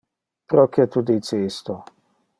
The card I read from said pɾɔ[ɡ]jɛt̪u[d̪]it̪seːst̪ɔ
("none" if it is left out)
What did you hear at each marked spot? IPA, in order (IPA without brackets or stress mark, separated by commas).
k, d̪